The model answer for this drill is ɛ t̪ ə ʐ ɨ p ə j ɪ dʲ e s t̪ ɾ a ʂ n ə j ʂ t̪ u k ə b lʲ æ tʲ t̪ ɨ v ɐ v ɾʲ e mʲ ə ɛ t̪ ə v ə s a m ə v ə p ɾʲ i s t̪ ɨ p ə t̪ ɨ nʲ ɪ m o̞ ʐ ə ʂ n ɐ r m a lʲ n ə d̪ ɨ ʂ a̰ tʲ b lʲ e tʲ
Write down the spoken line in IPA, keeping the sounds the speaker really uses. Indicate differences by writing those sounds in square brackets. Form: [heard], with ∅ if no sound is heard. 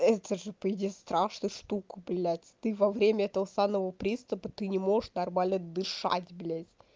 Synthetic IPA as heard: ɛ t̪ ə ʐ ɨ p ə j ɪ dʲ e s t̪ ɾ a ʂ n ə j ʂ t̪ u k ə b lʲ æ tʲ t̪ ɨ v ɐ v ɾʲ e mʲ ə ɛ t̪ ə v ə s a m ə v ə p ɾʲ i s t̪ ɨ p ə t̪ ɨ nʲ ɪ m o̞ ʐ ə ʂ n ɐ r m a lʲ n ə d̪ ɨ ʂ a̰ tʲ b lʲ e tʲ